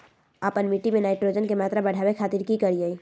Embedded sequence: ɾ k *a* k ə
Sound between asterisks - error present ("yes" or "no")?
yes